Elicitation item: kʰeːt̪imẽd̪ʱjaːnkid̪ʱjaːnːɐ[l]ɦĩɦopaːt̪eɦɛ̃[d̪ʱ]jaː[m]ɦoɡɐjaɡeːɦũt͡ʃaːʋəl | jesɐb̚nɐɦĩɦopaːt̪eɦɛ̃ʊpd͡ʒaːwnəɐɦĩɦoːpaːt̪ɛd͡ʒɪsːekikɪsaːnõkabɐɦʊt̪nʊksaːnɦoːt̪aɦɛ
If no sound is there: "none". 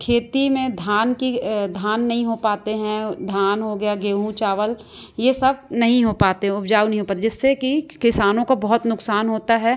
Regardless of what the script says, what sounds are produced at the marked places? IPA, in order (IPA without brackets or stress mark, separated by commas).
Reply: none, d̪ʱ, n